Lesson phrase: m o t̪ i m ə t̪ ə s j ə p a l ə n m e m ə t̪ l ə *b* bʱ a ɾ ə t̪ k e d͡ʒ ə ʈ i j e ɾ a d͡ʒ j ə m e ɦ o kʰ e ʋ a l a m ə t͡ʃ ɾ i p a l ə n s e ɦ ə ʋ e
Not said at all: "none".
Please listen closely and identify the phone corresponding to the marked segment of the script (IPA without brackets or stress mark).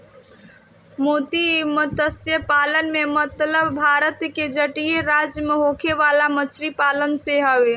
b